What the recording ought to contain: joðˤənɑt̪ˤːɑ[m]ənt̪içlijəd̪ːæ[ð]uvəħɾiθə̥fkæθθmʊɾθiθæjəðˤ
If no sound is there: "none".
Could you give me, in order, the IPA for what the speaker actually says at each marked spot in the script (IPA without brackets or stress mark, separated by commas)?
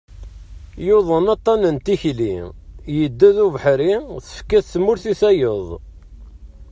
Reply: n, ð